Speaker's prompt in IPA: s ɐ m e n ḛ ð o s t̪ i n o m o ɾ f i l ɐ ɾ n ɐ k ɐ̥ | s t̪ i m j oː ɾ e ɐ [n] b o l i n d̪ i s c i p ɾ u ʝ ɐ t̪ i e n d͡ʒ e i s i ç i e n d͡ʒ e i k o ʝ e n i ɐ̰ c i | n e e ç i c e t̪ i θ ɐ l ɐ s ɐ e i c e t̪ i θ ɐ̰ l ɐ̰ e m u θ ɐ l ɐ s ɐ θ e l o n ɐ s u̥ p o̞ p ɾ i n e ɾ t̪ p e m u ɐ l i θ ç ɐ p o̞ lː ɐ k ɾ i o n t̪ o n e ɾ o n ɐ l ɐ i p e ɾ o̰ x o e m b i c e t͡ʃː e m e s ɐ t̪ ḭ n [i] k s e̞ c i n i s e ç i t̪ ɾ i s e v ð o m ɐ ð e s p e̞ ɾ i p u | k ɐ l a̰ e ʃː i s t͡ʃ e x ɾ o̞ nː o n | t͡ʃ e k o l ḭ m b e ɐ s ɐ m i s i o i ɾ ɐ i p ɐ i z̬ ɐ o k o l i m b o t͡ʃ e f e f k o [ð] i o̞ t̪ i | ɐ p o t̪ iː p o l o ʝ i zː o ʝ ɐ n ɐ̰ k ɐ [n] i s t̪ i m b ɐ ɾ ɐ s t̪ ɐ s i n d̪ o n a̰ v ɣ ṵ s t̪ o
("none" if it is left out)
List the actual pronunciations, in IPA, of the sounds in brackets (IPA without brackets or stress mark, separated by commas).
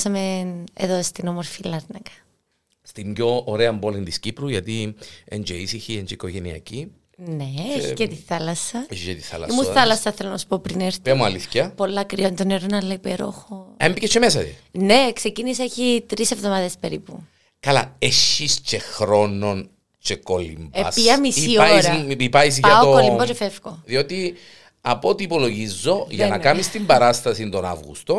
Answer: m, e, ð, m